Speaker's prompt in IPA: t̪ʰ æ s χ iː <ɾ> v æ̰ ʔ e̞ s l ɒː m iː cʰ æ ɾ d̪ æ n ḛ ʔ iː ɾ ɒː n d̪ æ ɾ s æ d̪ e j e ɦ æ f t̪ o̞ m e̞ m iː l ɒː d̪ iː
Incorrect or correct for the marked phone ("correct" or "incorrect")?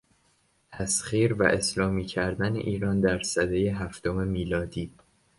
correct